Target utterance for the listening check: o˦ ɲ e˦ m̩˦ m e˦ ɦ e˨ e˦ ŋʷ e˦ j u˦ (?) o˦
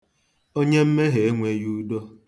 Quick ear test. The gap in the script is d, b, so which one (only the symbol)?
d